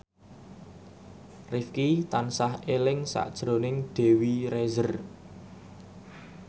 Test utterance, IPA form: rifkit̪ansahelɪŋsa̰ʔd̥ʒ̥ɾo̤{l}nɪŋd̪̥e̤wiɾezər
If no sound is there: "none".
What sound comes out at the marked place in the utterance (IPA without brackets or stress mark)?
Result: none